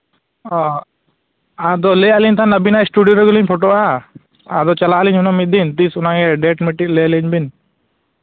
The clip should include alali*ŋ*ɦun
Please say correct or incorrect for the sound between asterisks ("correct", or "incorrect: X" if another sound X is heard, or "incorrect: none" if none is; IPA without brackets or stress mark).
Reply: incorrect: ɲ